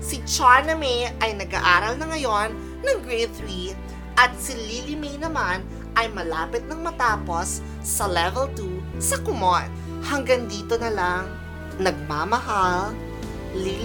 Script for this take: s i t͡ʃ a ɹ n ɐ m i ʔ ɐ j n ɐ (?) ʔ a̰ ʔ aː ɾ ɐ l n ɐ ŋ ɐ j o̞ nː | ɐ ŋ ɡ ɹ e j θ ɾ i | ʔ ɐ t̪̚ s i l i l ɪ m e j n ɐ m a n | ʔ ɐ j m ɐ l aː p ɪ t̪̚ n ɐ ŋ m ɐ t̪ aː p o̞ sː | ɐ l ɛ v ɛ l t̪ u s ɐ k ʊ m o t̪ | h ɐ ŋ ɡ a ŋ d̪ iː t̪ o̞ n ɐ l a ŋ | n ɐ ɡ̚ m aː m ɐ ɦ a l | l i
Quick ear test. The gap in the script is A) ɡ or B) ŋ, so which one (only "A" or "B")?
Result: A